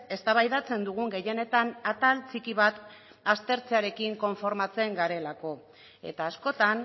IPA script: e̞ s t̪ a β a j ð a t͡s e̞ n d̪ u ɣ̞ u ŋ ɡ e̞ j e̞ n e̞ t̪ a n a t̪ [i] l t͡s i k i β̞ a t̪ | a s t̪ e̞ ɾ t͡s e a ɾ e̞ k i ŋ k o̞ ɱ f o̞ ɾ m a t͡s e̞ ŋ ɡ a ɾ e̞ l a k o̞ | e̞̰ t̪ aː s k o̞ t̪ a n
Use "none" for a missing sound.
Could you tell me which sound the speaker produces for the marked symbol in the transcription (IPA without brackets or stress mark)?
a